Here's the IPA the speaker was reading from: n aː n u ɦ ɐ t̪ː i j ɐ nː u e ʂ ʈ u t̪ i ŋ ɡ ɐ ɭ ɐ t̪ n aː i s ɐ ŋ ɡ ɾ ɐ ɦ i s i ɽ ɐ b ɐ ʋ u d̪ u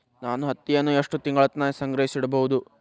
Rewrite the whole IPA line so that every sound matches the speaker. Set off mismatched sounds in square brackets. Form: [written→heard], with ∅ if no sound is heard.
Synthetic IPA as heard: n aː n u ɦ ɐ t̪ː i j ɐ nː u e ʂ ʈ u t̪ i ŋ ɡ ɐ ɭ ɐ t̪ n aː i s ɐ ŋ ɡ ɾ ɐ ɦ i s i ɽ ɐ b ɐ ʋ u d̪ u